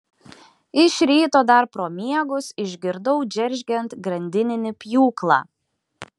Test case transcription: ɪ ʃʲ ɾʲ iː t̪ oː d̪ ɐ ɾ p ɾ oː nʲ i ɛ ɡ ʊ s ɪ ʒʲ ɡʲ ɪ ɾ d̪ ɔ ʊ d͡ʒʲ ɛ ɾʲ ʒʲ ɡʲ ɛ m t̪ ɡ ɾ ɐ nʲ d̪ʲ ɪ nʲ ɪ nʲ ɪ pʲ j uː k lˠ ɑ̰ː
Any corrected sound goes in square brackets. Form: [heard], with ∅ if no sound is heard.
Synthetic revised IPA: ɪ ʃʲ ɾʲ iː t̪ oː d̪ ɐ ɾ p ɾ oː [mʲ] i ɛ ɡ ʊ s ɪ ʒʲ ɡʲ ɪ ɾ d̪ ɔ ʊ d͡ʒʲ ɛ ɾʲ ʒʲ ɡʲ ɛ [n] t̪ ɡ ɾ ɐ nʲ d̪ʲ ɪ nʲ ɪ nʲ ɪ pʲ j uː k lˠ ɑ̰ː